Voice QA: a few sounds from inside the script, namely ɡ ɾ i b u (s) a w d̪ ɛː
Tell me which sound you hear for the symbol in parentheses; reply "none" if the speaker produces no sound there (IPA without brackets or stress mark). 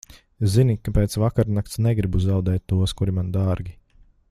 z